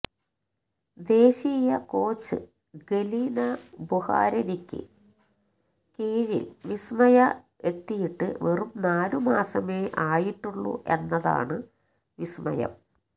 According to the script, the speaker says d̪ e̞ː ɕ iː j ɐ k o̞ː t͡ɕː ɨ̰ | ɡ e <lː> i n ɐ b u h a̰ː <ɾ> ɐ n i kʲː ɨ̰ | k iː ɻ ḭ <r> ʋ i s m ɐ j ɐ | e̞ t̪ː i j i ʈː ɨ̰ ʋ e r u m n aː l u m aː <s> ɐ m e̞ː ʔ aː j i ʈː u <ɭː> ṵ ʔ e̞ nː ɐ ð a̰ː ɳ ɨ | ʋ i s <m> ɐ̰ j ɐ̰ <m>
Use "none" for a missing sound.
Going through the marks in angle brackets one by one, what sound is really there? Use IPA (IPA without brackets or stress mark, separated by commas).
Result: l, ɾ, l, s, ɭː, m, m